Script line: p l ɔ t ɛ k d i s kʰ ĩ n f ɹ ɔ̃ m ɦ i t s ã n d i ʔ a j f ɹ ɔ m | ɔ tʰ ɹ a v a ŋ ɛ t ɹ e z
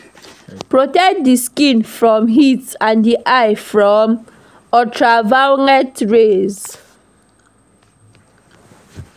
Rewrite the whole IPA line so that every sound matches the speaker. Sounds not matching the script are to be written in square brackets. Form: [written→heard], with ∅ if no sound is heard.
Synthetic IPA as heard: p [l→ɹ] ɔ t ɛ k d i s [kʰ→k] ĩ n f ɹ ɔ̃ m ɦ i t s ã n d i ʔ a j f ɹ ɔ m | ɔ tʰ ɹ a v a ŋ ɛ t ɹ e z